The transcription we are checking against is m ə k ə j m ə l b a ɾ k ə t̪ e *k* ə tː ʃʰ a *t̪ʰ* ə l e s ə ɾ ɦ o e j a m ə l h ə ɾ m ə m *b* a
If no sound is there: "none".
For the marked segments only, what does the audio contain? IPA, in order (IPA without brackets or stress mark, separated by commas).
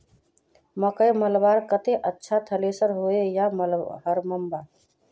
ʔ, t̪ʰ, b